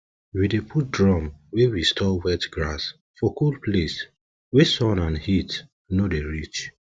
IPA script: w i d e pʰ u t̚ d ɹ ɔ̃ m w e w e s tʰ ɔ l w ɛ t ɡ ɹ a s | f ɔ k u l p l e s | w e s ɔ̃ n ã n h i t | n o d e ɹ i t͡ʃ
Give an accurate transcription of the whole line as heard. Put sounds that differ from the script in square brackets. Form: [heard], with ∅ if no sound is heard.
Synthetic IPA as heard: w i d e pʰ u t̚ d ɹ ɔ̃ m w e w [i] s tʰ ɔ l w ɛ t ɡ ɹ a s | f ɔ k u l p l e s | w e s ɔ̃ n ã n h i t | n o d e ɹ i t͡ʃ

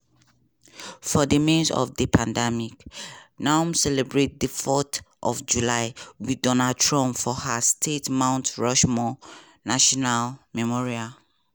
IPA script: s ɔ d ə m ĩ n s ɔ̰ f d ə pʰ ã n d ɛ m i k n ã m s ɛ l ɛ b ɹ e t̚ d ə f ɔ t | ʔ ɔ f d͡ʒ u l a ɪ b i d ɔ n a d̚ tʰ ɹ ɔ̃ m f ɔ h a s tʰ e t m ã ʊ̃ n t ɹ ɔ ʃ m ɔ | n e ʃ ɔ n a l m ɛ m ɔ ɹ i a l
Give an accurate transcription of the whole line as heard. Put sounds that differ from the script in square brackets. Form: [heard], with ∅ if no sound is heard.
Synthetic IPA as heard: [f] ɔ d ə m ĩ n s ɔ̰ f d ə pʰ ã n d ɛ m i k n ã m s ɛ l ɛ b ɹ e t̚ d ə f ɔ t | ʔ ɔ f d͡ʒ u l a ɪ [w] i d ɔ n a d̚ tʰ ɹ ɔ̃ m f ɔ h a s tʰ e t m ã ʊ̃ n t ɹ ɔ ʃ m ɔ | n [a] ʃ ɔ n a l m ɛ m ɔ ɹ i a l

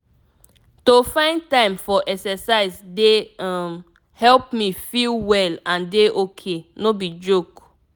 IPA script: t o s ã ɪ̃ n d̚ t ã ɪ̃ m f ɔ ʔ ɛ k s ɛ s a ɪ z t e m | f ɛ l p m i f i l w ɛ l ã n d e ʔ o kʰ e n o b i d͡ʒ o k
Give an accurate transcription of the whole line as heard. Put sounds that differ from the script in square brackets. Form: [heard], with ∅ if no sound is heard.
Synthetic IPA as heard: t o [f] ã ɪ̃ n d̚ t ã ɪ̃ m f ɔ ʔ ɛ k s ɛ s a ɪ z [d] e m | [h] ɛ l p m i f i l w ɛ l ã n d e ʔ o kʰ e n o b i d͡ʒ o k

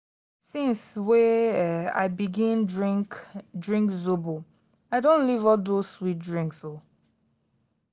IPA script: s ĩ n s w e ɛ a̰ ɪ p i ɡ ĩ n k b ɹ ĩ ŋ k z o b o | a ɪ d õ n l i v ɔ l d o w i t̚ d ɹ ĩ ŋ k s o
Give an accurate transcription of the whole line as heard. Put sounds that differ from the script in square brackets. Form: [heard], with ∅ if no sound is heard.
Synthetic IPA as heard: s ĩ n s w e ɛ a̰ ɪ [b] i ɡ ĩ n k [d] ɹ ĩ ŋ k z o b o | a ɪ d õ n l i v ɔ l d o w i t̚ d ɹ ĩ ŋ k s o

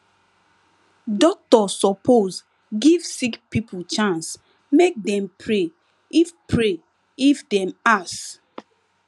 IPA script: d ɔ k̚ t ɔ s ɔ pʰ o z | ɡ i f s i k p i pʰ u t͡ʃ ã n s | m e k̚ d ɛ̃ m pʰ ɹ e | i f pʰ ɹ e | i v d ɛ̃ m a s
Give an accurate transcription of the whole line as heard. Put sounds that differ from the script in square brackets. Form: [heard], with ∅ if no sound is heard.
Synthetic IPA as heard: d ɔ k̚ t ɔ s ɔ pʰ o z | ɡ i [v] s i k p i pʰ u t͡ʃ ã n s | m e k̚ d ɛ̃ m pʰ ɹ e | i f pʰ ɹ e | i [f] d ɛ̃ m a s

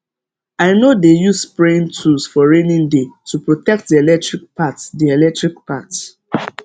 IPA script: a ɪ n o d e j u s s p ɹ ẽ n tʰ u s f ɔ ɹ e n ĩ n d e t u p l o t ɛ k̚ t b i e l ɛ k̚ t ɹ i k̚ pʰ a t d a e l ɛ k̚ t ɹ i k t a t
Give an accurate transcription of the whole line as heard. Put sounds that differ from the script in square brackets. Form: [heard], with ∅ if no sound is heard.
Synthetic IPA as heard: a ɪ n o d e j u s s p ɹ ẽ n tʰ u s f ɔ ɹ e n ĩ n d e t u p [ɹ] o t ɛ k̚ t [d] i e l ɛ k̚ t ɹ i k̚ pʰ a t d [i] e l ɛ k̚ t ɹ i k [p] a t

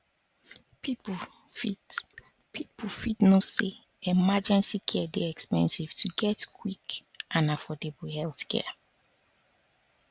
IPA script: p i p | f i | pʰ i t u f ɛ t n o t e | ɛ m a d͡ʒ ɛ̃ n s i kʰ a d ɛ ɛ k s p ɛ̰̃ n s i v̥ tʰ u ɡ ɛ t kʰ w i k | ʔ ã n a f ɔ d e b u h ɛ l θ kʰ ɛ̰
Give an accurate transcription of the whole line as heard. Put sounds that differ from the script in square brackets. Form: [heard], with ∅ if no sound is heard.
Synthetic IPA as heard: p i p | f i | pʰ i [p] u f [i] t n o [s] e | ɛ m a d͡ʒ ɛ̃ n s i kʰ [ɛ] d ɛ ɛ k s p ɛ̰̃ n s i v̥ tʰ u ɡ ɛ t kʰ w i k | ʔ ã n a f ɔ d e b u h ɛ l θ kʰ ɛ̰

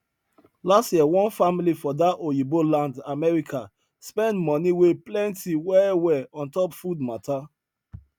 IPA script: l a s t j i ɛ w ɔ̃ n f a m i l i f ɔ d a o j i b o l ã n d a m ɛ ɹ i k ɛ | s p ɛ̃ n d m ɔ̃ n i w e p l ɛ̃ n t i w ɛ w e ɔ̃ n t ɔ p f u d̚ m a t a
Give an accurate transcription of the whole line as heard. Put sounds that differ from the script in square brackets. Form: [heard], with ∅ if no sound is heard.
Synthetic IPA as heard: l a s t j i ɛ w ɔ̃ n f a m i l i f ɔ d a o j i b o l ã n d a m ɛ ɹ i k [a] | s p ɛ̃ n d m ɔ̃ n i w e p l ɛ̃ n t i w ɛ w [ɛ] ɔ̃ n t ɔ p f u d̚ m a t a

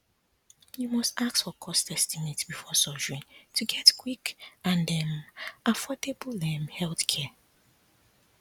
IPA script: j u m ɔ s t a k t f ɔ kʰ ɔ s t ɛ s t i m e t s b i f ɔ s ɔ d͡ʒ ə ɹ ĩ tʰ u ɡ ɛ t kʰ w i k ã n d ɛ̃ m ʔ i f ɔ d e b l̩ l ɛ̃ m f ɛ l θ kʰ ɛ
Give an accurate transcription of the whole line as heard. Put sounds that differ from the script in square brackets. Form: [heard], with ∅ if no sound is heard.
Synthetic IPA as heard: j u m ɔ s t a k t f ɔ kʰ ɔ s t ɛ s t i m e t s b i f ɔ s ɔ d͡ʒ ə ɹ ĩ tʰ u ɡ ɛ t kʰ w i k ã n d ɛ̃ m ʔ [a] f ɔ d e b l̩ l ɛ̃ m [h] ɛ l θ kʰ ɛ

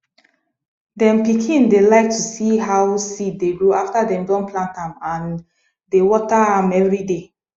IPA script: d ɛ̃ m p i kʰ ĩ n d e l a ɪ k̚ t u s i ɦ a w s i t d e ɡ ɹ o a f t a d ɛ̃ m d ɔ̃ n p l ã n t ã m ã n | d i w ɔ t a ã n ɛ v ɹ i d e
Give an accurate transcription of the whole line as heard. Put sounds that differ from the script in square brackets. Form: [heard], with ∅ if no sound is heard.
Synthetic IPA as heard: d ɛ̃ m p i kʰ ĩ n d e l a ɪ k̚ t u s i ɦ a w s i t d e ɡ ɹ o a f t a d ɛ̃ m d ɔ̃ n p l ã n t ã m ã n | d [e] w ɔ t a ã [m] ɛ v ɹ i d e

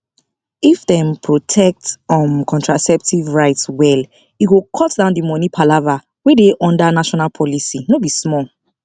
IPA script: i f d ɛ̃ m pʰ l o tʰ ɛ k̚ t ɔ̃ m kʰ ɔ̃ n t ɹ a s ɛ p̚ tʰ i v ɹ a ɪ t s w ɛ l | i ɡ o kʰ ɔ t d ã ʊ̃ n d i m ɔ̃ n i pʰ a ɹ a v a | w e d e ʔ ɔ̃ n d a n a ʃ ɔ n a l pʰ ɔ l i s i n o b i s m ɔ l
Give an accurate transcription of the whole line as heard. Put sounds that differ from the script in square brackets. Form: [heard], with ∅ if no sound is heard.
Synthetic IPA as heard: i f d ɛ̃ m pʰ [ɹ] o tʰ ɛ k̚ t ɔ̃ m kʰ ɔ̃ n t ɹ a s ɛ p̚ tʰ i v ɹ a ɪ t s w ɛ l | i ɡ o kʰ ɔ t d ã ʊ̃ n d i m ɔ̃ n i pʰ a [l] a v a | w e d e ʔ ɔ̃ n d a n a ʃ ɔ n a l pʰ ɔ l i s i n o b i s m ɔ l

